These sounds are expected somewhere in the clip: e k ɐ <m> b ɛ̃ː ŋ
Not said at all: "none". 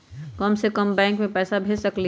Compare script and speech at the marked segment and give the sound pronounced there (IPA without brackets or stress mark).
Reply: m